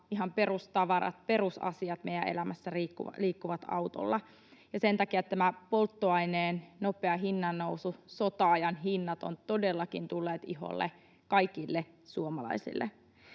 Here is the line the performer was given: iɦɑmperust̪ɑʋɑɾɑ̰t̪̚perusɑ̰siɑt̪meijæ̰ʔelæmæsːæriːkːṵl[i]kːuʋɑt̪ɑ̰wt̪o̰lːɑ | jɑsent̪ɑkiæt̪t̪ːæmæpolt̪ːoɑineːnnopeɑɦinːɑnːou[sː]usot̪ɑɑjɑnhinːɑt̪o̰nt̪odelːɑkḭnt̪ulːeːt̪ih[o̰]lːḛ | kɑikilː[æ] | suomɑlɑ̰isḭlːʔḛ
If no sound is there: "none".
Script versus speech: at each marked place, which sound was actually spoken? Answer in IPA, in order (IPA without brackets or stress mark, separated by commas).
iː, s, o̰, e